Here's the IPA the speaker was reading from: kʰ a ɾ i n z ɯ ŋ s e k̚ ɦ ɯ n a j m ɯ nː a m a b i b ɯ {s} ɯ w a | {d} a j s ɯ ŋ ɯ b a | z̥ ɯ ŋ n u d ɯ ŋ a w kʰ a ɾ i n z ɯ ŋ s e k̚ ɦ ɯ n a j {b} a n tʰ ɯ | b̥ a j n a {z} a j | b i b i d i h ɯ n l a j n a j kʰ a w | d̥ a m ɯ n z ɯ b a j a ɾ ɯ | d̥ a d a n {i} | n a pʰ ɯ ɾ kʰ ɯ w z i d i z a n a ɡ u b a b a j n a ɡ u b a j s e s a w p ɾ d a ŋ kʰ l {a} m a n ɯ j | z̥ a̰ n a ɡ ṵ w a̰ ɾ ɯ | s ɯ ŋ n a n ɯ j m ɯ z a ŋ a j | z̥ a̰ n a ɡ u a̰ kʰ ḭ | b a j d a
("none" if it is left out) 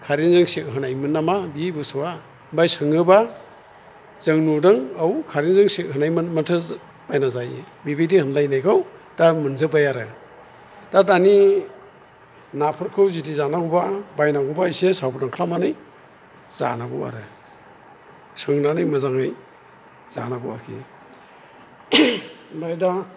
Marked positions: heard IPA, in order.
s, b, m, z, i, a

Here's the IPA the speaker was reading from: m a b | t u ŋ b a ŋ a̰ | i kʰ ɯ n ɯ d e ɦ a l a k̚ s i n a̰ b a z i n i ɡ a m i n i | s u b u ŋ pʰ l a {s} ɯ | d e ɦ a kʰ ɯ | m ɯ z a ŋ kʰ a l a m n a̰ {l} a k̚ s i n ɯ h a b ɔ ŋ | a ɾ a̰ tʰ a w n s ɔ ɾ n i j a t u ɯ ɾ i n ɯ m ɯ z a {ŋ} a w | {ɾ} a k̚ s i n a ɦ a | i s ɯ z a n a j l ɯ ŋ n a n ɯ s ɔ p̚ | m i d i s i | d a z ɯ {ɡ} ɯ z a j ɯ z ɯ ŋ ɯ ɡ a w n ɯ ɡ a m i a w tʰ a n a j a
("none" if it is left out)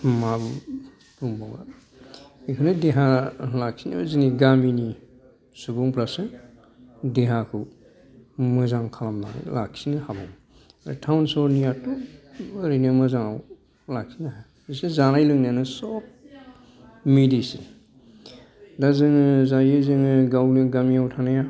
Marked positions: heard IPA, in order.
s, l, ŋ, l, ŋ

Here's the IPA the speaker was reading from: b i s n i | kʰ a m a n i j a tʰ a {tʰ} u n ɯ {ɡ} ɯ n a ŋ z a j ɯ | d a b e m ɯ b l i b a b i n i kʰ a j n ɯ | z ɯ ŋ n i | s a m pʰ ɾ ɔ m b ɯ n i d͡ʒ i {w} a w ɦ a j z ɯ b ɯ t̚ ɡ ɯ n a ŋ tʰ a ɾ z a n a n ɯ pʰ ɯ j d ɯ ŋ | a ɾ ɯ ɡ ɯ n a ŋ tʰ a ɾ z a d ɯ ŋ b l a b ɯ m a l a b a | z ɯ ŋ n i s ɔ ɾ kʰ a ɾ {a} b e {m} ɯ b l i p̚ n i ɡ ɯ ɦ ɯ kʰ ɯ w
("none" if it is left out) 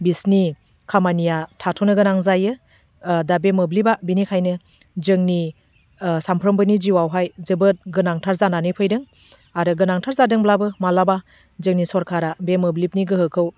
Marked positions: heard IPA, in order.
tʰ, ɡ, w, a, m

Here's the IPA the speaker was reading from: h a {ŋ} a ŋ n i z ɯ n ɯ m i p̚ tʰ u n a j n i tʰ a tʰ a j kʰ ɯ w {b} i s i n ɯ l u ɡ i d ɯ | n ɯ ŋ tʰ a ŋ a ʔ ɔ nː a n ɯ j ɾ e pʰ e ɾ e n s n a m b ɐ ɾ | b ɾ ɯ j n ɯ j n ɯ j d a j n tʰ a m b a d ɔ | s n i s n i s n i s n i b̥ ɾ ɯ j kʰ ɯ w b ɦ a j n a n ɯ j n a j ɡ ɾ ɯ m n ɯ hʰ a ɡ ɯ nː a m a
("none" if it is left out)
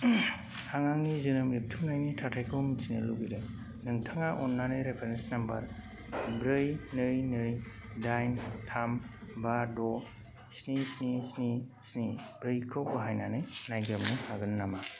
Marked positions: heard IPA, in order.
ŋ, m

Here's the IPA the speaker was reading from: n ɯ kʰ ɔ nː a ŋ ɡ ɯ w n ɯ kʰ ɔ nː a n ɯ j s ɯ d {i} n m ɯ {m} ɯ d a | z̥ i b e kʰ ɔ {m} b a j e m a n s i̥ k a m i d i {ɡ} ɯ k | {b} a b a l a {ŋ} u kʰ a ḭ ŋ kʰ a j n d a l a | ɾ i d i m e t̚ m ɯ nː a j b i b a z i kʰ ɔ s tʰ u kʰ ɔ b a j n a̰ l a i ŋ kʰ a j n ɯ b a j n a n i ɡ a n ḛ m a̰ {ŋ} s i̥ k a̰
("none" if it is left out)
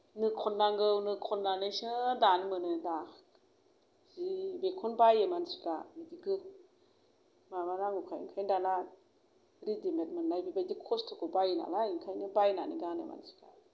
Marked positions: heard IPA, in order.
a, n, n, ɡ, m, ŋ, n

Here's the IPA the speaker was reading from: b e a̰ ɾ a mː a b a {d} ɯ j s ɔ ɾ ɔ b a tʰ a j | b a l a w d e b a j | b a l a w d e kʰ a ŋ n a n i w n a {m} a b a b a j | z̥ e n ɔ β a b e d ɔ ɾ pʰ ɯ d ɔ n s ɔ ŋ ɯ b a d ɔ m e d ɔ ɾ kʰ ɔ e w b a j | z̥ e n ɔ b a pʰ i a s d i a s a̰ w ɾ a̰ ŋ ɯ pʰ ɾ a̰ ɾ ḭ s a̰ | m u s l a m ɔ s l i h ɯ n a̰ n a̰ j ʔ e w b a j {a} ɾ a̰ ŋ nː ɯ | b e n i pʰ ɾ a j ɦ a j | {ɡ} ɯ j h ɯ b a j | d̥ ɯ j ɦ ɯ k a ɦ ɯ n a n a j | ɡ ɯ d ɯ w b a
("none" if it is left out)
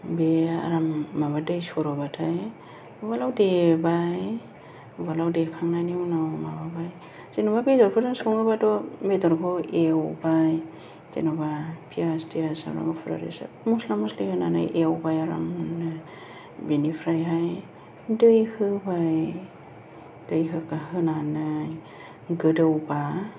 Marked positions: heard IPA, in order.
d, m, a, d

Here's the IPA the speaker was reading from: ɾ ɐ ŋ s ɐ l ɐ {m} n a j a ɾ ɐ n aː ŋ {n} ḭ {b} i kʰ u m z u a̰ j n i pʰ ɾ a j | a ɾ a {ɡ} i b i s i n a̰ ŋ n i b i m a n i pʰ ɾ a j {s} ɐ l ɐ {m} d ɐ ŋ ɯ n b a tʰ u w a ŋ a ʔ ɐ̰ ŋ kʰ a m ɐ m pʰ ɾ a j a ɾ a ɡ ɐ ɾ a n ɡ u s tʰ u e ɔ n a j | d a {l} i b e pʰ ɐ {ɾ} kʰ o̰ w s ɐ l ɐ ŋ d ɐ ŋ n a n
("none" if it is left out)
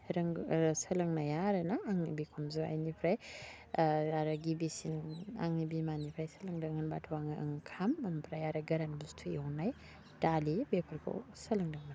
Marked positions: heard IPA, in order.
ŋ, n, b, ɡ, s, ŋ, l, ɾ

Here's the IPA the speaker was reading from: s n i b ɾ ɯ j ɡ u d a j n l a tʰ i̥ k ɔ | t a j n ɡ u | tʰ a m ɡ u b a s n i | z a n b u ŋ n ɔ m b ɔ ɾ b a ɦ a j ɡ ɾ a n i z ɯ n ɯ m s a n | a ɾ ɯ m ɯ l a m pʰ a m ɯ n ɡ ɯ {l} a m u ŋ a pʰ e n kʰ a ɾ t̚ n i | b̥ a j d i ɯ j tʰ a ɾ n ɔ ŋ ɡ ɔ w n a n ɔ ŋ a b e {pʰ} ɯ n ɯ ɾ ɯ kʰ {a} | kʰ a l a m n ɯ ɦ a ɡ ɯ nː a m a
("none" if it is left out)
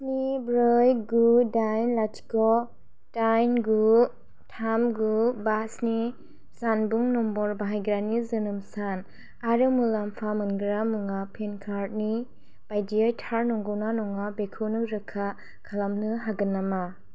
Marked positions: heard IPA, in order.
ɾ, kʰ, a

